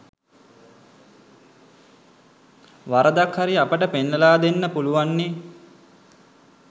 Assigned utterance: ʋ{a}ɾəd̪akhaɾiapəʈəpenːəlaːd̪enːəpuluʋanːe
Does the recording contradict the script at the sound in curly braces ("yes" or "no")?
no